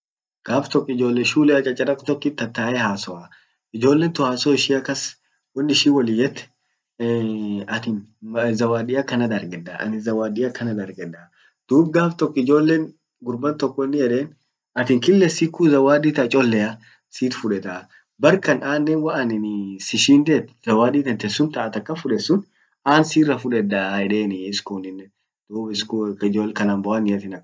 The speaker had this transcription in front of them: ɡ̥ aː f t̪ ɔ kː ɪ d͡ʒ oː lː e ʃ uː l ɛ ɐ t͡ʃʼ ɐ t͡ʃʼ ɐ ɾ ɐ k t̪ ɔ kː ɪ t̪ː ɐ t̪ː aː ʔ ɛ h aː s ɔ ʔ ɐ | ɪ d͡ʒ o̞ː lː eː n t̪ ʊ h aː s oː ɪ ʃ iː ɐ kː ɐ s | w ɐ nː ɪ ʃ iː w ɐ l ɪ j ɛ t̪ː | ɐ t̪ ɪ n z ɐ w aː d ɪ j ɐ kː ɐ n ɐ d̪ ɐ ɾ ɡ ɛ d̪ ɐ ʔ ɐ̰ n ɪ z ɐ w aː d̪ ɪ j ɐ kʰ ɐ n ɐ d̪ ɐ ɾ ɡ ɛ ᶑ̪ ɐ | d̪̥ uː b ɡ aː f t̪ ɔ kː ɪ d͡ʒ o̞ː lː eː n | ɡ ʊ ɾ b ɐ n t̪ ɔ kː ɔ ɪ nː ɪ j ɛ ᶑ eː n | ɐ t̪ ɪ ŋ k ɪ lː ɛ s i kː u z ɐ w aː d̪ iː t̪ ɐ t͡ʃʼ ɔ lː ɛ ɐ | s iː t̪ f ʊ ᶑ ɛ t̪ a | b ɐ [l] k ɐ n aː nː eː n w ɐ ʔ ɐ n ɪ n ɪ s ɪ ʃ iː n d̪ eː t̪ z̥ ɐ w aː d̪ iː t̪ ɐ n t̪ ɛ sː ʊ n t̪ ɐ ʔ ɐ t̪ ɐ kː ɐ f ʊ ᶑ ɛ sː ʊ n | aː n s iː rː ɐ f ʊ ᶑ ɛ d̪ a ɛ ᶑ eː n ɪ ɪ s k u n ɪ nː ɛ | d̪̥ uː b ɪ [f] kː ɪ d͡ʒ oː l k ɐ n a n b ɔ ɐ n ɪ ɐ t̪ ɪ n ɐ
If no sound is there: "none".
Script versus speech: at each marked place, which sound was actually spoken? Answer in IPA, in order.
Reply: ɾ, s

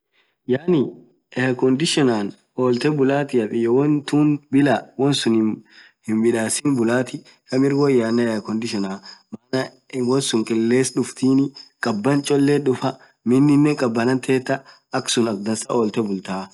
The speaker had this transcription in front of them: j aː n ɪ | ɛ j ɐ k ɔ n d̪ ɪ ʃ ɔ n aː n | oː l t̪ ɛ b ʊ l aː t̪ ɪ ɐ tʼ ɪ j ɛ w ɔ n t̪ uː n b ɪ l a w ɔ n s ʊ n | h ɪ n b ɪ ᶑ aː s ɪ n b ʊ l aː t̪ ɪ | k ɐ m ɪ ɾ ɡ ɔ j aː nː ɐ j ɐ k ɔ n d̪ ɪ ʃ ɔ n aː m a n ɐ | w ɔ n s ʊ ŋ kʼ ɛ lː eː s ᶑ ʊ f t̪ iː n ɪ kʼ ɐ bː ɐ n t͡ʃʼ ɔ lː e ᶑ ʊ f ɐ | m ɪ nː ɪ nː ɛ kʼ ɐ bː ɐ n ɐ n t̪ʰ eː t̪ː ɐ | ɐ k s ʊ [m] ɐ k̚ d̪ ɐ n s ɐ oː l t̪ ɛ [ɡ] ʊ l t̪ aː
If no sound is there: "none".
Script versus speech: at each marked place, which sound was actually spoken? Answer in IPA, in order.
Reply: n, b

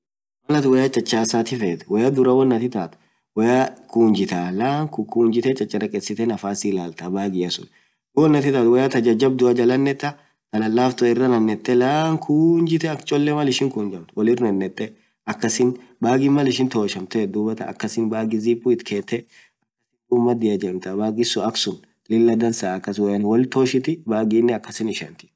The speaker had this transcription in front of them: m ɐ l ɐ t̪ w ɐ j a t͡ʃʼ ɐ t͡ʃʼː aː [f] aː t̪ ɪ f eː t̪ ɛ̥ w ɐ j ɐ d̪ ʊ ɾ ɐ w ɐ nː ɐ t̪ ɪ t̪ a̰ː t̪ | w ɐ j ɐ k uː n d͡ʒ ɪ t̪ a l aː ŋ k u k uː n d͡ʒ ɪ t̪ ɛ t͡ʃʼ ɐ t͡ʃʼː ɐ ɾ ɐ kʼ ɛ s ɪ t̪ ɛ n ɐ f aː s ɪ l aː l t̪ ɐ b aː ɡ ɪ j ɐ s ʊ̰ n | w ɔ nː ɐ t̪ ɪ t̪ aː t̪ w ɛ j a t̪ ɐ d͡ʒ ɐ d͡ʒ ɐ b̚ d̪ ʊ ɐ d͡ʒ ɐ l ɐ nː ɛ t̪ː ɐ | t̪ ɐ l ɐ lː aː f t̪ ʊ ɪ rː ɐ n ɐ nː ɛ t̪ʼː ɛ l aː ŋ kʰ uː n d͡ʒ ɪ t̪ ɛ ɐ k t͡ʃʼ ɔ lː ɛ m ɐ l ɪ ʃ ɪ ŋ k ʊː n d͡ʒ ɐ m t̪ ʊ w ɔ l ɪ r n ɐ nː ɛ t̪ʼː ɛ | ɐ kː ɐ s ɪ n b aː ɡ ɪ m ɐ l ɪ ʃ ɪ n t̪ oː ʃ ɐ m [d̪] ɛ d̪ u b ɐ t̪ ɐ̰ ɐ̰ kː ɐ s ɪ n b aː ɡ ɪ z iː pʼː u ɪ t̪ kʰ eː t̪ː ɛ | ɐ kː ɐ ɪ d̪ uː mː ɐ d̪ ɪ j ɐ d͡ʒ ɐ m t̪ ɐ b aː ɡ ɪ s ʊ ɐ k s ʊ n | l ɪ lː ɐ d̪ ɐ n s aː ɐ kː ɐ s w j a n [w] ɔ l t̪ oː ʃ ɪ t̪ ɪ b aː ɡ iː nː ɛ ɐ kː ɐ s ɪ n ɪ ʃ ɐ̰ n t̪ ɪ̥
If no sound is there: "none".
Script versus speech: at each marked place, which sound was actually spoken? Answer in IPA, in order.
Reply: s, t̪, w

